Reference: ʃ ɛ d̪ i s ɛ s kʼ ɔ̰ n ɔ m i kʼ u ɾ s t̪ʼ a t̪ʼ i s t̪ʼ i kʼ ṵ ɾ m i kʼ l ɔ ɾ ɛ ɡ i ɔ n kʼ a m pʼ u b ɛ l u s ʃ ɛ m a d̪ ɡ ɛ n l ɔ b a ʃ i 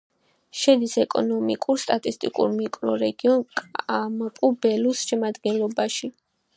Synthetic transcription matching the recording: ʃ ɛ d̪ i s ɛ kʼ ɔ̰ n ɔ m i kʼ u ɾ s t̪ʼ a t̪ʼ i s t̪ʼ i kʼ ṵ ɾ m i kʼ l ɔ ɾ ɛ ɡ i ɔ n kʼ a m pʼ u b ɛ l u s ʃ ɛ m a d̪ ɡ ɛ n l ɔ b a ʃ i